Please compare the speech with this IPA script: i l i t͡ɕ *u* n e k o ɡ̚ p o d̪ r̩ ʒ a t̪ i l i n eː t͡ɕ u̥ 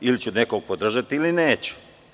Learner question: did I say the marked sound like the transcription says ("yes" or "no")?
yes